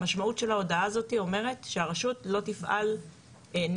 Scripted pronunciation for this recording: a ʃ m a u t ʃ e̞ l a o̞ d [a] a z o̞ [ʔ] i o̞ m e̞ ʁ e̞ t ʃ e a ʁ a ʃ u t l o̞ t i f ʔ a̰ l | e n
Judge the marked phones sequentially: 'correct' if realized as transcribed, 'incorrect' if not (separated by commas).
correct, incorrect